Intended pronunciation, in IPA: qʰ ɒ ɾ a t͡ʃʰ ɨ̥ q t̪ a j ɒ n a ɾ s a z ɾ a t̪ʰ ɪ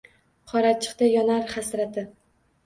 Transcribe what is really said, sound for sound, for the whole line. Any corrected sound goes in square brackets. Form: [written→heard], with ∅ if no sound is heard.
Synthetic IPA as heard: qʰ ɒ ɾ a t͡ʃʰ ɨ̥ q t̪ a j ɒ n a ɾ [s→χ] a [z→s] ɾ a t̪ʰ ɪ